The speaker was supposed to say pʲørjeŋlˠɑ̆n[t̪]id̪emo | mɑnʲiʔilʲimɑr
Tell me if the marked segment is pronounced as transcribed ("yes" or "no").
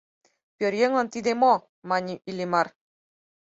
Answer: yes